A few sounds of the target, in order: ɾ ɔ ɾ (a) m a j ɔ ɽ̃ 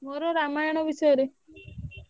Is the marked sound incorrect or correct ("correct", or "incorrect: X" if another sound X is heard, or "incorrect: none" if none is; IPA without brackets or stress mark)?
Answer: correct